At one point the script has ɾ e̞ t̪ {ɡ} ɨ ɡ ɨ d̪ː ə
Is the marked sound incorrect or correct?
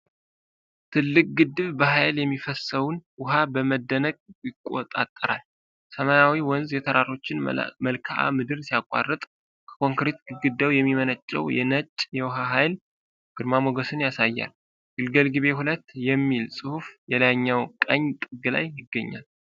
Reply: correct